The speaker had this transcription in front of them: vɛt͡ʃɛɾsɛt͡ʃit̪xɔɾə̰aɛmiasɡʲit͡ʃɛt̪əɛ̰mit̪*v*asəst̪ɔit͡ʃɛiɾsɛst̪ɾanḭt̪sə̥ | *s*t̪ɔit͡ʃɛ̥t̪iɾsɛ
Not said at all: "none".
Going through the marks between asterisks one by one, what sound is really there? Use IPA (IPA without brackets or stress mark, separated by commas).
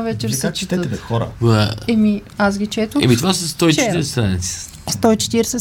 v, s